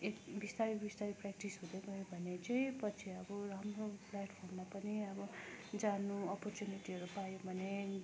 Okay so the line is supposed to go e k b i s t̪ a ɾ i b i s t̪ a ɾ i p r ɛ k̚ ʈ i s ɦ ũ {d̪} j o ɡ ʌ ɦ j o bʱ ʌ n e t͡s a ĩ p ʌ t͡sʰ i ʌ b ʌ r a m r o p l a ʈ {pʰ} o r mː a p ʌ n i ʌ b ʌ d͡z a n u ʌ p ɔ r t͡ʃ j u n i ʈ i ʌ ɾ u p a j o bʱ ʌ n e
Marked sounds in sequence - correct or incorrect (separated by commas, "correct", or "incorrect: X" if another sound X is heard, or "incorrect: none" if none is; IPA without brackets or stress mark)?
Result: correct, correct